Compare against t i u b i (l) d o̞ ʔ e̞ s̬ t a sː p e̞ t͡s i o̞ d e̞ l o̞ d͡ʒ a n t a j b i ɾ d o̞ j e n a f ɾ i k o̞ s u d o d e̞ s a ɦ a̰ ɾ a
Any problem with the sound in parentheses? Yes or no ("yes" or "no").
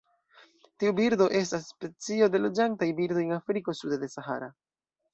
yes